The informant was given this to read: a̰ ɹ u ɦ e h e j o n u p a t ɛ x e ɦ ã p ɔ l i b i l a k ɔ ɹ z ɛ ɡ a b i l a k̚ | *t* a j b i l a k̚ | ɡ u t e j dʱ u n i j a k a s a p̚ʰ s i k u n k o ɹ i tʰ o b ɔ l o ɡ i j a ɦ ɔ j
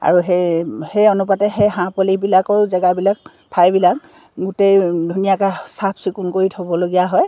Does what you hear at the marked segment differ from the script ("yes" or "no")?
yes